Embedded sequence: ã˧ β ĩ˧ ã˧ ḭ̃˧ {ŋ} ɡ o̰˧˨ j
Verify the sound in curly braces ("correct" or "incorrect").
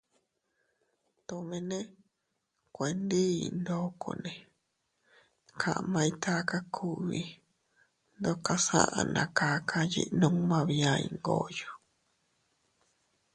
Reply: correct